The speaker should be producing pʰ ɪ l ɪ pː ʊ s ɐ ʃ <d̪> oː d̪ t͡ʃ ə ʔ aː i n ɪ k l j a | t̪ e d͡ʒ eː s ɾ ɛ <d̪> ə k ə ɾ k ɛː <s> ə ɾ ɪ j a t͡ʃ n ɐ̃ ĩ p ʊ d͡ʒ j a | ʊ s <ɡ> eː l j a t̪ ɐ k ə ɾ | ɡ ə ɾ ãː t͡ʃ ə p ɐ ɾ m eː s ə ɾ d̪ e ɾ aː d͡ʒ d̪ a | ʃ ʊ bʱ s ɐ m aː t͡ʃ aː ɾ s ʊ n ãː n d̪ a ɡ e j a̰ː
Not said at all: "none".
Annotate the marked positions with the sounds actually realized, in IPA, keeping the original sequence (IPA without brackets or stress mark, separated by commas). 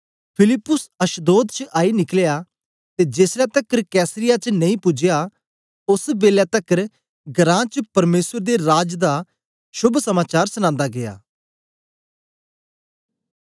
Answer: d̪, t̪, s, b